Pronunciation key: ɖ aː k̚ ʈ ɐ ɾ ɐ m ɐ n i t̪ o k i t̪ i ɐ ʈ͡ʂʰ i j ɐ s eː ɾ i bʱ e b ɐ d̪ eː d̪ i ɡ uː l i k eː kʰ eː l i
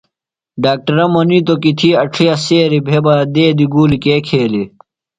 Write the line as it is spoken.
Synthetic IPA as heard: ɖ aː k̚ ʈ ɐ ɾ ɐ m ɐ n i t̪ o k i t̪ʰ i ɐ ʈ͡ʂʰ i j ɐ s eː ɾ i bʱ e b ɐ d̪ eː d̪ i ɡ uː l i k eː kʰ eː l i